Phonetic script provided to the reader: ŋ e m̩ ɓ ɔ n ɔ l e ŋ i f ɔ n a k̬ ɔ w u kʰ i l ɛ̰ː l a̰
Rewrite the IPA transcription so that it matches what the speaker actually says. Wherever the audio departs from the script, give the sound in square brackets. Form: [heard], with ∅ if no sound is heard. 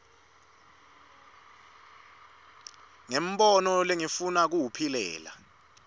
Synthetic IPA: ŋ e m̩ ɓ ɔ n ɔ l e ŋ i f [u] n a k̬ [u] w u [pʰ] i l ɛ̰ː l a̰